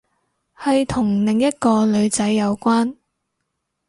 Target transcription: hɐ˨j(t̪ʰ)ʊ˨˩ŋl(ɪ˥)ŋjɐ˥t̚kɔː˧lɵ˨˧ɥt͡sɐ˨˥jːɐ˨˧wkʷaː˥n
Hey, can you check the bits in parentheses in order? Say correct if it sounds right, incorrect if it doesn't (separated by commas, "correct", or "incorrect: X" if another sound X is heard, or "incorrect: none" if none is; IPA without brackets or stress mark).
correct, incorrect: ɪ˨